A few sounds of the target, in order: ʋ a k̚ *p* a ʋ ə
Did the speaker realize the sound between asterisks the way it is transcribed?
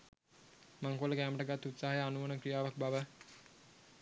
no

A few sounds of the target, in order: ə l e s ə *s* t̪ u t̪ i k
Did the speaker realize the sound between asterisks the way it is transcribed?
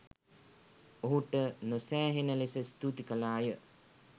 yes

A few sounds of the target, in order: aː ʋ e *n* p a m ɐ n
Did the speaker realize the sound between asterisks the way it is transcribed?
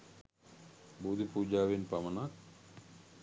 yes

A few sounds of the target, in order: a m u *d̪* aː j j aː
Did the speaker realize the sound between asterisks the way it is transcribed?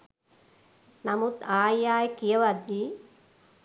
no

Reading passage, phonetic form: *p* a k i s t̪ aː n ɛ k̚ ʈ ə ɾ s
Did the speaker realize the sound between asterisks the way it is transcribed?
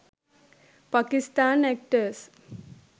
yes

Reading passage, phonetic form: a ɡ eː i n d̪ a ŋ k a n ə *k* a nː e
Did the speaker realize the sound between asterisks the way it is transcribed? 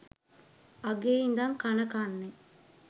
yes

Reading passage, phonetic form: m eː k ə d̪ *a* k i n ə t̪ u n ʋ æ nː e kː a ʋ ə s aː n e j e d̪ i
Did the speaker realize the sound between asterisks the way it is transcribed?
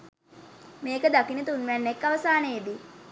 yes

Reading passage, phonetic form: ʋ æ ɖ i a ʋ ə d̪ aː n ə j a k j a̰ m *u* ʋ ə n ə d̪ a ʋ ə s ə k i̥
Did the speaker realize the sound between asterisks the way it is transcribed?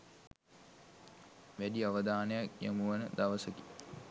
yes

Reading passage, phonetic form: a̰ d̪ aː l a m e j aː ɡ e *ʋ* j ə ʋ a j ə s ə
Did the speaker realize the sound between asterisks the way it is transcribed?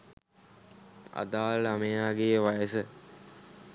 no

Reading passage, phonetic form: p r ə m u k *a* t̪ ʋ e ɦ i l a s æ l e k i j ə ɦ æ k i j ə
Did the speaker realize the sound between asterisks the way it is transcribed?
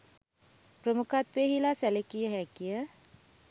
yes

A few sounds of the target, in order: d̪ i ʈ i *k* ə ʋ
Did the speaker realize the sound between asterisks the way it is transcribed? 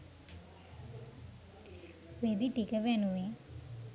yes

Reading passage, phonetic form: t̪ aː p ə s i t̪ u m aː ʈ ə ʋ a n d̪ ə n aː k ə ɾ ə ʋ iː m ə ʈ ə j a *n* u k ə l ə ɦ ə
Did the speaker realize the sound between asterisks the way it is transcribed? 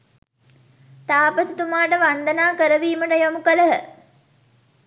no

